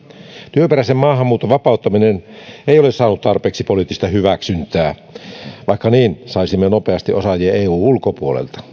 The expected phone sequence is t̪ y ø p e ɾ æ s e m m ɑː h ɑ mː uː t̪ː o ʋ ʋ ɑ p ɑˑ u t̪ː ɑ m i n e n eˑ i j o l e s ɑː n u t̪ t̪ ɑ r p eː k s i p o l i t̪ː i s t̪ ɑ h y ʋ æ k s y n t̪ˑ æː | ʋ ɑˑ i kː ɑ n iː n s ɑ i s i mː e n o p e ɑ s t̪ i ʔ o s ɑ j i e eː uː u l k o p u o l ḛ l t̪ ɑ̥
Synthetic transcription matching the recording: t̪ y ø p e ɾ æ s e m m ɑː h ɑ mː uː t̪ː o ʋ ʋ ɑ p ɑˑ u t̪ː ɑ m i n e n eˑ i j o l e s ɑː n u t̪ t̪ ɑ r p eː k s i p o l i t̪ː i s t̪ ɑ h y ʋ æ k s y n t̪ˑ æː | ʋ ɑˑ i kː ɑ n iː n s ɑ i s i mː e n o p e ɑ s t̪ i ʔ o s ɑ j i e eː uː u l k o p u o l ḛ l t̪ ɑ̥